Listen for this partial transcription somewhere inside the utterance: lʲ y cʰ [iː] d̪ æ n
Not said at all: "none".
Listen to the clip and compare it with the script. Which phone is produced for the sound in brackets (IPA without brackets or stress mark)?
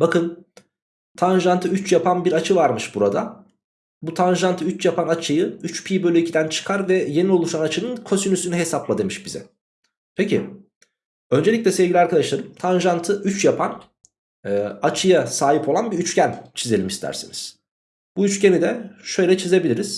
i